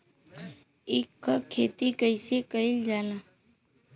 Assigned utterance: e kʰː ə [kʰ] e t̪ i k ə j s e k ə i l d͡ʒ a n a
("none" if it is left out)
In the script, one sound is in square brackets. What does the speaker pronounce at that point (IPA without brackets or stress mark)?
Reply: kʰ